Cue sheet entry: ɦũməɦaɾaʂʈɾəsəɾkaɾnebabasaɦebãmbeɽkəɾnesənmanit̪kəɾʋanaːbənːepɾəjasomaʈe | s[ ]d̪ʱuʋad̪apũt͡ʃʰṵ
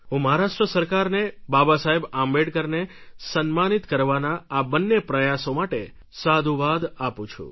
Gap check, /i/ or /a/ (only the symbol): a